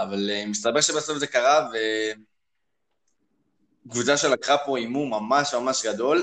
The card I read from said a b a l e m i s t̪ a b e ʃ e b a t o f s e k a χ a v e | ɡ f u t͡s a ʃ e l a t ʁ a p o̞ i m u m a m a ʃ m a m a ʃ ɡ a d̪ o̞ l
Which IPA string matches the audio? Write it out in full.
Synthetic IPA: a v a l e m i s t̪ a b e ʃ e b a s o f z e k a ʁ a v e | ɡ v u t͡s a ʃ e l a k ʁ a p o̞ i m u m a m a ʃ m a m a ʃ ɡ a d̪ o̞ l